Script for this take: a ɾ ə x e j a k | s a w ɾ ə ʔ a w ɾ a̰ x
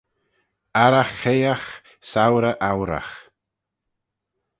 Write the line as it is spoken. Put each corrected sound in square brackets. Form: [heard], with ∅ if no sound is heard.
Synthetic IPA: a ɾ [a] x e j a [x] | s a w ɾ ə ʔ a w ɾ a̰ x